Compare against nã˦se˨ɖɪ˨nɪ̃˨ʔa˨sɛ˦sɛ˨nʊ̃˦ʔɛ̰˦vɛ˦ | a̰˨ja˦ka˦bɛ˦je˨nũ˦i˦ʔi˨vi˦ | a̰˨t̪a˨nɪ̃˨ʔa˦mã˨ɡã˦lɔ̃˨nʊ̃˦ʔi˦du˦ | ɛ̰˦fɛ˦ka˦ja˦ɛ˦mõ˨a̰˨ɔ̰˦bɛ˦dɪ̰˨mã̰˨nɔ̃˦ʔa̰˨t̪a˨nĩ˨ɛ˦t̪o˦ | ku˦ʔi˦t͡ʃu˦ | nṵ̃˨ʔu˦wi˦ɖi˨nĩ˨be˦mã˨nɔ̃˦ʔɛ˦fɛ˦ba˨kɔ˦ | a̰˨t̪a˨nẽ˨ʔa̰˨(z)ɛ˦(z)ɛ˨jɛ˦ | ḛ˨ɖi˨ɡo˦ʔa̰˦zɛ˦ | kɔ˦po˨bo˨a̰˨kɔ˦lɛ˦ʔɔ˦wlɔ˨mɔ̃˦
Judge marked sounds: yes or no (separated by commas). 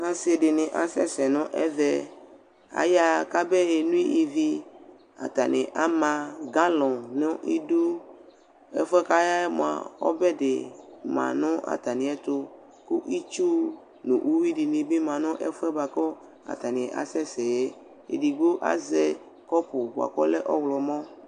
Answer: no, no